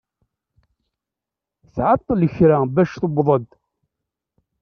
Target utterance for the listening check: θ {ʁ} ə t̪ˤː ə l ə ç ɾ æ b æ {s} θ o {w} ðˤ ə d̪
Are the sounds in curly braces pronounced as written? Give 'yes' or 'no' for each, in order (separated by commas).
no, no, no